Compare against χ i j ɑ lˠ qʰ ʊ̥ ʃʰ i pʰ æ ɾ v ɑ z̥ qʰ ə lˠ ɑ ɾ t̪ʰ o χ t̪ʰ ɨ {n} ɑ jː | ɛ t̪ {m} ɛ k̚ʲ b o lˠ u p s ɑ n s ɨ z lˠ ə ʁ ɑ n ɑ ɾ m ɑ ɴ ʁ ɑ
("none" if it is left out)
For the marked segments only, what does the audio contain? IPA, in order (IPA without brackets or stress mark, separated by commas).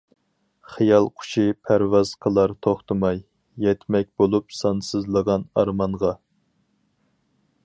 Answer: m, m